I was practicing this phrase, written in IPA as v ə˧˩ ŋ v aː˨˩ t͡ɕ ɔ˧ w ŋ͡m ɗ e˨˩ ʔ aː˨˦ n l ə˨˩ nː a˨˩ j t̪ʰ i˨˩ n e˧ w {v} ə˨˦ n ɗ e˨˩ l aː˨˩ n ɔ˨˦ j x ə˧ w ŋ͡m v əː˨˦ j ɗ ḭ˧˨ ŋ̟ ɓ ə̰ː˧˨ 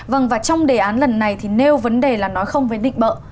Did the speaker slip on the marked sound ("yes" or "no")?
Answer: no